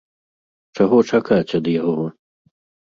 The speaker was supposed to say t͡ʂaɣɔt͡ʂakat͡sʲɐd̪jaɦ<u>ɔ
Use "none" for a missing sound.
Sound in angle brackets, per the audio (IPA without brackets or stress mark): ɔ